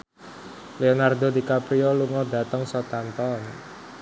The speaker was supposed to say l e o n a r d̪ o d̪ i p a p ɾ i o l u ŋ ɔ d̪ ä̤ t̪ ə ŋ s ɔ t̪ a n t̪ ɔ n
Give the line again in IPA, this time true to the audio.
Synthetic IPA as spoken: l e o n a r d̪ o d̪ i k a p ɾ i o l u ŋ ɔ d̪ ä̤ t̪ ə ŋ s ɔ t̪ a n t̪ ɔ n